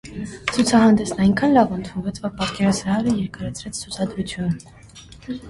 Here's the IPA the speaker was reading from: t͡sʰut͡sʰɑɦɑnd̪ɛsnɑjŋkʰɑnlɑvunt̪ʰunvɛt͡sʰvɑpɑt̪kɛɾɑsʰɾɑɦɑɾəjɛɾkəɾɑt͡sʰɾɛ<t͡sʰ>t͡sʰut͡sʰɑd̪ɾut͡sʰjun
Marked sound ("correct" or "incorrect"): correct